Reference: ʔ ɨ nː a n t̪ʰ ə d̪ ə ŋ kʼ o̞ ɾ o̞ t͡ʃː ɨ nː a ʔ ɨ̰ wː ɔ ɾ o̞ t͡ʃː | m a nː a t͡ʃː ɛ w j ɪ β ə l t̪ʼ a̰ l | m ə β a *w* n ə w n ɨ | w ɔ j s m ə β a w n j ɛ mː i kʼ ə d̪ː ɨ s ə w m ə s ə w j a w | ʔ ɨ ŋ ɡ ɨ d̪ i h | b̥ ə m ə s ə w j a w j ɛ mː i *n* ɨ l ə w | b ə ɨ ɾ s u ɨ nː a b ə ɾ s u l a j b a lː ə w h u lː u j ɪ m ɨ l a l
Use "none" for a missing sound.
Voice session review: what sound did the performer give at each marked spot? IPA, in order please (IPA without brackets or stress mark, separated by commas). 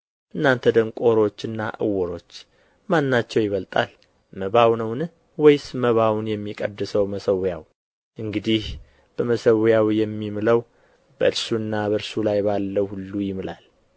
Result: w, m